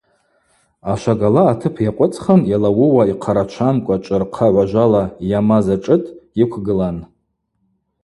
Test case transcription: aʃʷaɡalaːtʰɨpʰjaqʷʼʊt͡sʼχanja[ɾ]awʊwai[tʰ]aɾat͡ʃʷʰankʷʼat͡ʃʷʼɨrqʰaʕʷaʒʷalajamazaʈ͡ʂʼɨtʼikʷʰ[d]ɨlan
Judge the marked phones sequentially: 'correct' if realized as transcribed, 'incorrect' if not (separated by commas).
incorrect, incorrect, incorrect